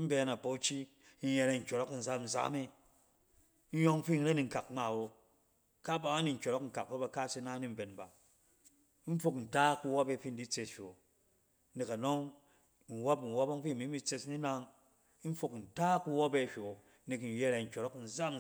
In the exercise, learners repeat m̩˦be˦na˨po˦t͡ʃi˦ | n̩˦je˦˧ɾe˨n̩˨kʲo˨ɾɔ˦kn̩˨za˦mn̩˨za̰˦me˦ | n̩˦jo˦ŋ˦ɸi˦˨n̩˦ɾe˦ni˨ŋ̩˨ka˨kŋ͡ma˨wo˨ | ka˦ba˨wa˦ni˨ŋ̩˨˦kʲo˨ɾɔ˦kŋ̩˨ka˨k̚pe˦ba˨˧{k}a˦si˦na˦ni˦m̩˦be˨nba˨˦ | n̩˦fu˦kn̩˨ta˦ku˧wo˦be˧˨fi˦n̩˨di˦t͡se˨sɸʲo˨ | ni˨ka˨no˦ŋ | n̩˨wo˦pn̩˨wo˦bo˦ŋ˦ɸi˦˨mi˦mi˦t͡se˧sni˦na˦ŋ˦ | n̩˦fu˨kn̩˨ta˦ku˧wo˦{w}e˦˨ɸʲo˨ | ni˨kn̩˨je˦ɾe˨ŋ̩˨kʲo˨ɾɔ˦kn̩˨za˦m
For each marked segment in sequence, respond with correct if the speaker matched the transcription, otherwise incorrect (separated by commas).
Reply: correct, incorrect